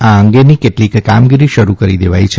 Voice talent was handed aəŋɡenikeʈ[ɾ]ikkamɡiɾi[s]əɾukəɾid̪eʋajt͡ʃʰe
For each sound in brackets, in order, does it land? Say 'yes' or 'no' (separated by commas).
no, no